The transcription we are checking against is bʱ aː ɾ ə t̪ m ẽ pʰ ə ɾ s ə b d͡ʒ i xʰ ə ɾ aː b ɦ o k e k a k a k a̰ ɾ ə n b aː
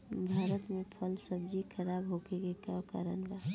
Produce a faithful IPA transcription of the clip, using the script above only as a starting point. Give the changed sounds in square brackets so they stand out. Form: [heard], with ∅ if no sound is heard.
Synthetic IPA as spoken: bʱ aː ɾ ə t̪ m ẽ pʰ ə [l] s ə b d͡ʒ i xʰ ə ɾ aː b ɦ o k e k [e] k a k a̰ ɾ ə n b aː

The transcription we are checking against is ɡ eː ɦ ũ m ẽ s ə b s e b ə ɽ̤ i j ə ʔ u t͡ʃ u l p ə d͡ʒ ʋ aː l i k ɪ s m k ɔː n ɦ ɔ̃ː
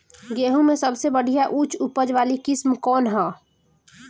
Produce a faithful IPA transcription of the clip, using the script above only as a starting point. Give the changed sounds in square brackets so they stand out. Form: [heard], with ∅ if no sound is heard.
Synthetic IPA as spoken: ɡ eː ɦ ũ m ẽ s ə b s e b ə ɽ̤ i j [a] ʔ u t͡ʃ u [∅] p ə d͡ʒ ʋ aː l i k ɪ s m k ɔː n ɦ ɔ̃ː

